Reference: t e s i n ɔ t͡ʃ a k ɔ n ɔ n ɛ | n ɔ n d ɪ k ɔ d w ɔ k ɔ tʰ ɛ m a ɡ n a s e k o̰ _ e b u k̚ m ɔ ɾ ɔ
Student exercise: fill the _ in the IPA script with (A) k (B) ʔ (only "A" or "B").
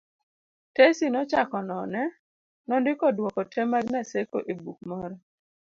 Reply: B